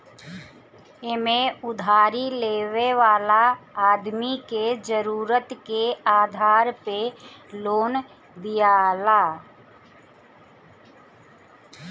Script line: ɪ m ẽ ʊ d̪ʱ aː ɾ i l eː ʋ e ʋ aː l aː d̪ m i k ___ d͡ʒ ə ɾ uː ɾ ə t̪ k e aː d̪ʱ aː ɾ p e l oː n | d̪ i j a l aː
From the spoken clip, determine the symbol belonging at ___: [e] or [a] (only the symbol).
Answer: e